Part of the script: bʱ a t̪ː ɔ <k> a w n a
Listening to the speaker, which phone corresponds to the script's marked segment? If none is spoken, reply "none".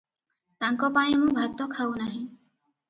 kʰ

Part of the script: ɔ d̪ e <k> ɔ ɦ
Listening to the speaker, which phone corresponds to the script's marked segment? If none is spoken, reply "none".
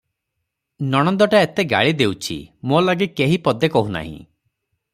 k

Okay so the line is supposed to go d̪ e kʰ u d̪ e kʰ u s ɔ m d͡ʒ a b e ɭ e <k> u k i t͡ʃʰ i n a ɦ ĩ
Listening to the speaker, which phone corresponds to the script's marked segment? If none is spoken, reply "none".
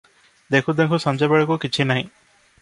k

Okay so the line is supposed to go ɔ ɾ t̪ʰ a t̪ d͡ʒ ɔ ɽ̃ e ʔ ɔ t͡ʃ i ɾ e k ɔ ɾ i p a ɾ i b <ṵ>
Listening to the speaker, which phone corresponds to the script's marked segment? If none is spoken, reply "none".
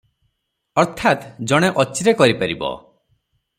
ɔ̰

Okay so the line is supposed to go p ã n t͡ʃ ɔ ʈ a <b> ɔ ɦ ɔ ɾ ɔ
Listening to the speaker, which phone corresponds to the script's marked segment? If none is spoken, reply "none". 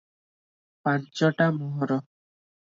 m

